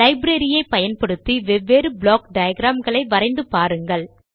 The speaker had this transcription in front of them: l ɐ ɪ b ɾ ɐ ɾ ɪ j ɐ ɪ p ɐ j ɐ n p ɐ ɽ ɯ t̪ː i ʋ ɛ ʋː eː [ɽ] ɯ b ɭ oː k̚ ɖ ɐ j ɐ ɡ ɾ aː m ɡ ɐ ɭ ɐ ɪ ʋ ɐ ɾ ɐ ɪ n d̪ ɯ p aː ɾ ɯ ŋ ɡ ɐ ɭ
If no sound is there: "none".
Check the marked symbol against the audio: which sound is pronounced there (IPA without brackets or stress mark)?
ɾ